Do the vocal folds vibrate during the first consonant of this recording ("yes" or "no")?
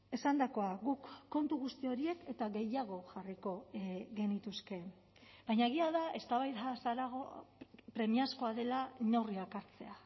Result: no